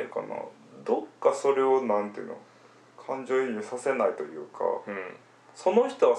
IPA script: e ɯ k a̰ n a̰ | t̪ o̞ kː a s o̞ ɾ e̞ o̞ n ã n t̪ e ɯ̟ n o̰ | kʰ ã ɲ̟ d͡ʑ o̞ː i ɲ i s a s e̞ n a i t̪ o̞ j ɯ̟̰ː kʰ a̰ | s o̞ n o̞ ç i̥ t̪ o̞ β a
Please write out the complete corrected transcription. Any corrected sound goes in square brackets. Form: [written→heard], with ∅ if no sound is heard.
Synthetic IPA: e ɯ k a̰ n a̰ | [t̪→d̪] o̞ kː a s o̞ ɾ e̞ o̞ n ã n t̪ e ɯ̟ n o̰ | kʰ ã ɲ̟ d͡ʑ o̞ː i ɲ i s a s e̞ n a i t̪ o̞ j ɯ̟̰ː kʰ a̰ | s o̞ n o̞ ç i̥ t̪ o̞ β a